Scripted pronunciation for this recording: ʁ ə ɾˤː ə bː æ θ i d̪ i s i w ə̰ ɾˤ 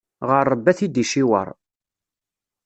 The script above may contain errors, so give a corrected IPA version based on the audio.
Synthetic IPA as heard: ʁ ə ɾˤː ə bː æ θ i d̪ i ʃ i w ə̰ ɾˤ